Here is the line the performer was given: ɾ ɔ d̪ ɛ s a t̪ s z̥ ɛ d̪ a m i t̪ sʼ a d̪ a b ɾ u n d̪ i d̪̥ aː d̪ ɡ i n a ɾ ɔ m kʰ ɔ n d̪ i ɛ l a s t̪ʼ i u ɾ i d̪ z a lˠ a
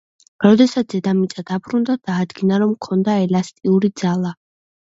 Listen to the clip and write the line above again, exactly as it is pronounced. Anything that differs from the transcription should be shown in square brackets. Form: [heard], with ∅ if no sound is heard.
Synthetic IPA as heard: ɾ ɔ d̪ ɛ s a t̪ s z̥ ɛ d̪ a m i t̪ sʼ a d̪ a b ɾ u n d̪ [a] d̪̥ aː d̪ ɡ i n a ɾ ɔ m kʰ ɔ n d̪ [a] ɛ l a s t̪ʼ i u ɾ i d̪ z a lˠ a